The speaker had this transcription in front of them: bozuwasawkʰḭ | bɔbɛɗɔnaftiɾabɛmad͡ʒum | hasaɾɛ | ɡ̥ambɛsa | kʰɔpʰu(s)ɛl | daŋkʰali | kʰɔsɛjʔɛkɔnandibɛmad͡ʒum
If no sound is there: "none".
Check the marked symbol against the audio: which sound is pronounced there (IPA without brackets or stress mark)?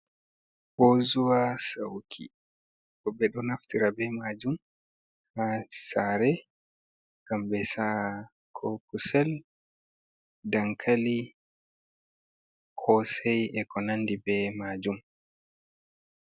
s